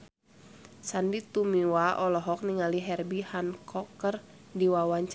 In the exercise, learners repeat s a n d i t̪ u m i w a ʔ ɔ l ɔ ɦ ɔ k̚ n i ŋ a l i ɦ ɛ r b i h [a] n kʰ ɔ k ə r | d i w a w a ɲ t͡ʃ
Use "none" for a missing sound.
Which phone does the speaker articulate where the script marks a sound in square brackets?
a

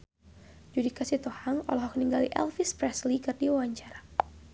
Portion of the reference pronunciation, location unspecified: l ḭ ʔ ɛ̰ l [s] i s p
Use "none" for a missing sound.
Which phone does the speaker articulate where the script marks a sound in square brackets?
f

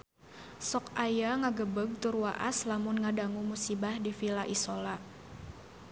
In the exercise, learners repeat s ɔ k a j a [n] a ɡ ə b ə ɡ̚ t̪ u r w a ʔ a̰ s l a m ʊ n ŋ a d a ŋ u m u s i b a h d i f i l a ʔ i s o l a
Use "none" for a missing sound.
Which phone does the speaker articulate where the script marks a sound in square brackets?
ŋ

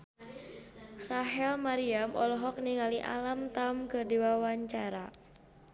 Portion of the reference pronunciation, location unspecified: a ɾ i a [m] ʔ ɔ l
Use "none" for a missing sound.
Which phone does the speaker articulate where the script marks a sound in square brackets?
m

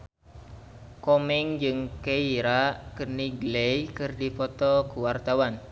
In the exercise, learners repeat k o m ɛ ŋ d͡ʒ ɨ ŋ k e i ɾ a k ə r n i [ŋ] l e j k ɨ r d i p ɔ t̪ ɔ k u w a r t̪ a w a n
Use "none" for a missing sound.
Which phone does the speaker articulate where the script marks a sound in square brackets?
ɡ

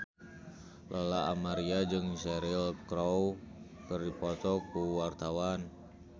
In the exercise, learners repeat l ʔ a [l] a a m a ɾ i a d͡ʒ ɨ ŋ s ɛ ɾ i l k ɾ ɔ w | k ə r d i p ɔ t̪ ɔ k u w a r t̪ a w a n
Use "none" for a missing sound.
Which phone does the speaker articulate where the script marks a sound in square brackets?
l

